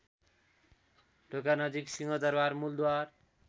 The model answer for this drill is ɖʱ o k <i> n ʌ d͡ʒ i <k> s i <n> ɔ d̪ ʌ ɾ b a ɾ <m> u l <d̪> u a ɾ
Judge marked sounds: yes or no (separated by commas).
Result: no, yes, no, yes, yes